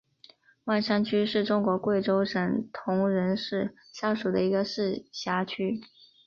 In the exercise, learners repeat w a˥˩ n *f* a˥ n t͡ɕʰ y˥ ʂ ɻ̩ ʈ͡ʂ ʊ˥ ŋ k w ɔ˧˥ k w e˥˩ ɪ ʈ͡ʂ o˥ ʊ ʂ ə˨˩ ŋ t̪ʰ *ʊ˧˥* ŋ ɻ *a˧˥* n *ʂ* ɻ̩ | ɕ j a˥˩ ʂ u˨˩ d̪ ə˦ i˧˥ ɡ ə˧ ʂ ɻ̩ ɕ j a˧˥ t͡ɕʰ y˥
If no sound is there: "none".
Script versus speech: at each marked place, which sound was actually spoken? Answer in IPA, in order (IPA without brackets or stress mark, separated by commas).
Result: ʂ, ʊ˧˥, ə˧˥, ʂ